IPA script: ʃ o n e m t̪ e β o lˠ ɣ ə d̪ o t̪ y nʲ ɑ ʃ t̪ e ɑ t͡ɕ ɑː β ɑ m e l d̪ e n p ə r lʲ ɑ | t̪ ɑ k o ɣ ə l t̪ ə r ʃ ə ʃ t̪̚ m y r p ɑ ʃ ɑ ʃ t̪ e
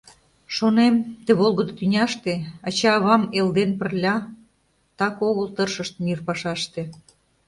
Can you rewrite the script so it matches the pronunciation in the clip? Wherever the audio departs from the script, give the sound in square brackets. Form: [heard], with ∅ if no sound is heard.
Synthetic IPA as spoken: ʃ o n e m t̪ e β o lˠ ɣ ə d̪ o t̪ y nʲ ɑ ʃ t̪ e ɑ t͡ɕ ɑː β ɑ m e l d̪ e n p ə r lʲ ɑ | t̪ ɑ k o ɣ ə l t̪ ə r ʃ ə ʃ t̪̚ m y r p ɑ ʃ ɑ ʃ t̪ e